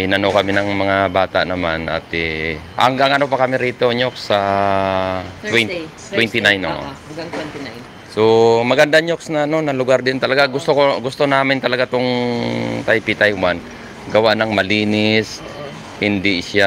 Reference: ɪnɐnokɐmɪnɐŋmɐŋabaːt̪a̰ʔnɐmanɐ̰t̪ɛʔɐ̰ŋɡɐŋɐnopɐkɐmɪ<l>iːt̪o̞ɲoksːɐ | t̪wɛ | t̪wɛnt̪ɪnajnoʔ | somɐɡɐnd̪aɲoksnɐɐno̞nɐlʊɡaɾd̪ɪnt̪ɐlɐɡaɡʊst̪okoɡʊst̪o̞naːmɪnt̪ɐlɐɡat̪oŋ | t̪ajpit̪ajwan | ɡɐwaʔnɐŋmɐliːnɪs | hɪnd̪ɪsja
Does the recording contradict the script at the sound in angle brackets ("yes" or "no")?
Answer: yes